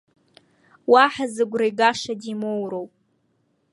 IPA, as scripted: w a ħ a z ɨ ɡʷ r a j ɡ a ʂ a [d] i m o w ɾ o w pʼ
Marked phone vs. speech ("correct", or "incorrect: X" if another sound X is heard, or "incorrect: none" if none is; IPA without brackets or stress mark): correct